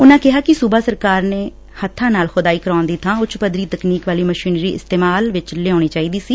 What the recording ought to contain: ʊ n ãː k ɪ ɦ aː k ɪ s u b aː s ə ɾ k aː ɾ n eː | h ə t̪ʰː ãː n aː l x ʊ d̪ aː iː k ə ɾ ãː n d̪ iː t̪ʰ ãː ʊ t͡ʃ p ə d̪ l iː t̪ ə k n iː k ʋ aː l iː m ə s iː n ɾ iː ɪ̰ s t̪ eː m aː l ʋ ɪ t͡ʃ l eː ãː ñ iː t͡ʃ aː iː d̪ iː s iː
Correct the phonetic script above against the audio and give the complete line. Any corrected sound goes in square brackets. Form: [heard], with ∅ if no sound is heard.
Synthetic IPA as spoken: ʊ n ãː k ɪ ɦ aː k ɪ s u b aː s ə ɾ k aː ɾ n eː | h ə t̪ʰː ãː n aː l x ʊ d̪ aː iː k ə ɾ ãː n d̪ iː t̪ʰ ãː ʊ t͡ʃ p ə d̪ [ɾ] iː t̪ ə k n iː k ʋ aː l iː m ə [ʃ] iː n ɾ iː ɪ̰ s t̪ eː m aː l ʋ ɪ t͡ʃ l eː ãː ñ iː t͡ʃ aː iː d̪ iː s iː